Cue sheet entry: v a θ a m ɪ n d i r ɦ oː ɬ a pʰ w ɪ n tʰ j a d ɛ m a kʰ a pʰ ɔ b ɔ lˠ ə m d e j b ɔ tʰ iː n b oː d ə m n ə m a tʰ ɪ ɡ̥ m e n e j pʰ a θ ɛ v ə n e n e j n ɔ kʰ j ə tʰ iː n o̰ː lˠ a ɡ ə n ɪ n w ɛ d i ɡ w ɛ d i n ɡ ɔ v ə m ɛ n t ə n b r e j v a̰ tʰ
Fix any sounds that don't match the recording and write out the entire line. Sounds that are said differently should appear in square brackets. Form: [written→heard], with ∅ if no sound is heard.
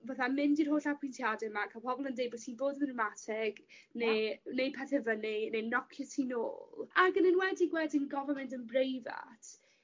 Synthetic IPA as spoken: v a θ a m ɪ n d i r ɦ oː ɬ a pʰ w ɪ n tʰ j a d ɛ m a kʰ a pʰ ɔ b ɔ lˠ ə [m→n] d e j b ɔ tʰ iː n b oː d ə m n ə m a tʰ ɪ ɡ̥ [m→n] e n e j pʰ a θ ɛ v ə n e n e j n ɔ kʰ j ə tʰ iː n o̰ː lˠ a ɡ ə n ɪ n w ɛ d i ɡ w ɛ d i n ɡ ɔ v ə m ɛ n t ə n b r e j v a̰ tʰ